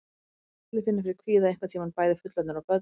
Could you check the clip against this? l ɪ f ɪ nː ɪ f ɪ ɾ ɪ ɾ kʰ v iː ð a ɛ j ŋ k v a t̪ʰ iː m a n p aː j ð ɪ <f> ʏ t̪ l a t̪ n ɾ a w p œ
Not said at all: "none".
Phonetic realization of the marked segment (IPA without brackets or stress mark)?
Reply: f